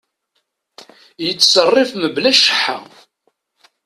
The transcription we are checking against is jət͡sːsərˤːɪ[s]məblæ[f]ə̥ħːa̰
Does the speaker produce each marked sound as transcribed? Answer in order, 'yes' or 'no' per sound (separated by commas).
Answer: no, no